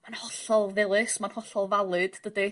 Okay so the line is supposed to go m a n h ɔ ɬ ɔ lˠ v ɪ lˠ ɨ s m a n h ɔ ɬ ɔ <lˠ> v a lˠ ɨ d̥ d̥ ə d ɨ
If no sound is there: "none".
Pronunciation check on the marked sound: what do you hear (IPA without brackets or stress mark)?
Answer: lˠ